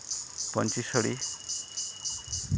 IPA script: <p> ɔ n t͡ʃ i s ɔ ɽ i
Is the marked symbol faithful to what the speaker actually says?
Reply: yes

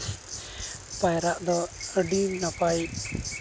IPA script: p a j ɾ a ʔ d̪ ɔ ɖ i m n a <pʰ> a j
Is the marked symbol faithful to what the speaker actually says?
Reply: no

